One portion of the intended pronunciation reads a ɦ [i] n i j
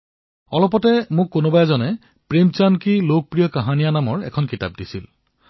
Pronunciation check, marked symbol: incorrect: a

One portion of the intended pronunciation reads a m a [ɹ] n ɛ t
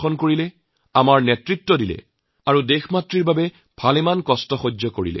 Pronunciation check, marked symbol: correct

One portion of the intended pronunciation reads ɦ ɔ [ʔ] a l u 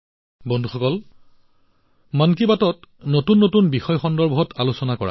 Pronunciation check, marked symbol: incorrect: t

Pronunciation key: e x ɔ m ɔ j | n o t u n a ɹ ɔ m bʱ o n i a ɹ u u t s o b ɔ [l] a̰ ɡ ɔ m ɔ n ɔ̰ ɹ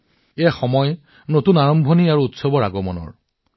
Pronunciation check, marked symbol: incorrect: ɹ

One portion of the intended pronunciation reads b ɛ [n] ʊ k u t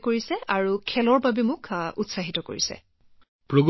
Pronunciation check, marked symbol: incorrect: m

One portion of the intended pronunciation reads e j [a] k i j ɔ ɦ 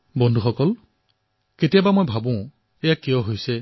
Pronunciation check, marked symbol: correct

